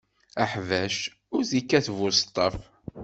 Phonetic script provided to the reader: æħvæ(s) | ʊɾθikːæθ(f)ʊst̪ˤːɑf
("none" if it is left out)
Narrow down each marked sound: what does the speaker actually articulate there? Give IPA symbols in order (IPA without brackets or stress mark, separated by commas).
ʃ, v